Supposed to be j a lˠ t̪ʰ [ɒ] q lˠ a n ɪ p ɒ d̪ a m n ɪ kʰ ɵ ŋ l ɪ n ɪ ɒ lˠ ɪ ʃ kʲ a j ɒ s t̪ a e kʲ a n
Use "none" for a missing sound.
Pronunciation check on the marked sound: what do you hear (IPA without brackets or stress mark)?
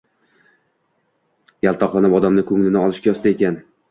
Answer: ɒ